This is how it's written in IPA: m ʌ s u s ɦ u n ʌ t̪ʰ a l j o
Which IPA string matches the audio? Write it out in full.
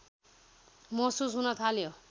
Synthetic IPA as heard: m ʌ s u s ɦ u n ʌ t̪ʰ a l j o